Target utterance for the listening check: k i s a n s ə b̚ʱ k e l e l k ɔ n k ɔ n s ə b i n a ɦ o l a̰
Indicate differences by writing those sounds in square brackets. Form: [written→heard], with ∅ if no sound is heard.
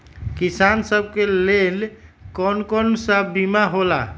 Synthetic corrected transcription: k i s a n s ə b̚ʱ k e l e l k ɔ n k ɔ n s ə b i [n→m] a ɦ o l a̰